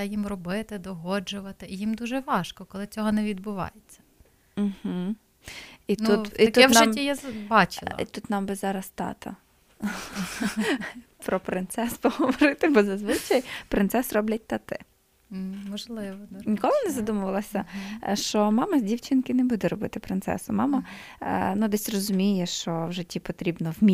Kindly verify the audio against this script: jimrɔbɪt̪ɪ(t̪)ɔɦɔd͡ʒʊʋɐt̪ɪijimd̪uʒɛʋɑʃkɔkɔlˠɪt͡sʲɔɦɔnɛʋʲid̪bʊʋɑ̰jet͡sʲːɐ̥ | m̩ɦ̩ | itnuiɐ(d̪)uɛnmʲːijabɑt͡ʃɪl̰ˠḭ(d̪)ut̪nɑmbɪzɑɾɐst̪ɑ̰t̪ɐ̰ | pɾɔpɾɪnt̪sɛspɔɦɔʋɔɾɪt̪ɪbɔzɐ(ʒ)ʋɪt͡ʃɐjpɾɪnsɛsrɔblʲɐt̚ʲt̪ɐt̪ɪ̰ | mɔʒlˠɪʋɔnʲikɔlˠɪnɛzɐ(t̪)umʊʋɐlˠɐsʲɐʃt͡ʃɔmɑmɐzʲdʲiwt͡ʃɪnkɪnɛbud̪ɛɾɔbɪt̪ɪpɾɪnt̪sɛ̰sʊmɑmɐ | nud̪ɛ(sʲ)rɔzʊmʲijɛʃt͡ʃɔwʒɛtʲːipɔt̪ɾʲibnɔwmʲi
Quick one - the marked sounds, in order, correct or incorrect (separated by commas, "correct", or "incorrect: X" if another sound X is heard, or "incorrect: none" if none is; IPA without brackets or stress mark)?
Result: incorrect: d̪, incorrect: t̪, incorrect: t̪, incorrect: z, incorrect: d̪, correct